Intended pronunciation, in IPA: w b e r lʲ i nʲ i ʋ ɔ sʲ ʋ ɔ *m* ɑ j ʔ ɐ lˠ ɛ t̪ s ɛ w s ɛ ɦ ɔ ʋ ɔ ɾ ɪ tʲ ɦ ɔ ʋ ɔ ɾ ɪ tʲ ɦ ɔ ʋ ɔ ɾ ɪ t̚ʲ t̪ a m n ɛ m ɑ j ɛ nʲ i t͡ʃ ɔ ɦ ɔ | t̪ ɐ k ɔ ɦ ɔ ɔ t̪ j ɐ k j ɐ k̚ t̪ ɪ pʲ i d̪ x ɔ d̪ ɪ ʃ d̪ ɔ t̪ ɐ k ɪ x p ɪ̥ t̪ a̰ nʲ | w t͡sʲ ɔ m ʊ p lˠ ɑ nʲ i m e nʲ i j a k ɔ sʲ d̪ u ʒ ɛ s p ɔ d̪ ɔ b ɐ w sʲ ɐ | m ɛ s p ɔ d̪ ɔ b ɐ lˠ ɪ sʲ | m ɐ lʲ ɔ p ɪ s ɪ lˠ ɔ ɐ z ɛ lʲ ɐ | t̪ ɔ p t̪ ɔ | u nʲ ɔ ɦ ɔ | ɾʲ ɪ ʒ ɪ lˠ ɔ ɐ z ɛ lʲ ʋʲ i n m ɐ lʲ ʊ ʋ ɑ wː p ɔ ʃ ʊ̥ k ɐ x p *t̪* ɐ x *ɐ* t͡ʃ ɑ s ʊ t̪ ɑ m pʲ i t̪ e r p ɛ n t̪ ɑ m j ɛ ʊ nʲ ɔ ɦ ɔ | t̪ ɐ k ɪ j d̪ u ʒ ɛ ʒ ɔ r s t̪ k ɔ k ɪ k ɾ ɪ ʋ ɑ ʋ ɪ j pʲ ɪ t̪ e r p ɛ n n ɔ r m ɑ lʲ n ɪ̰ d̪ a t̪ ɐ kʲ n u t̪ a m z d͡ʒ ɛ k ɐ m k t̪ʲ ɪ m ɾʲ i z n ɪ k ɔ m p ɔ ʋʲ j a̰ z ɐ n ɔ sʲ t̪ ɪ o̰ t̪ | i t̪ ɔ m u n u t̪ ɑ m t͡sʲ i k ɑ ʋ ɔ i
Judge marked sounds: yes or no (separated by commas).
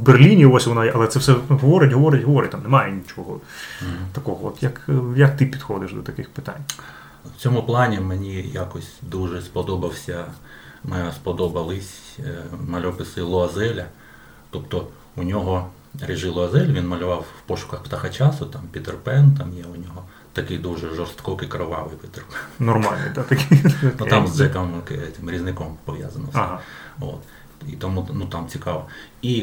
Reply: no, yes, yes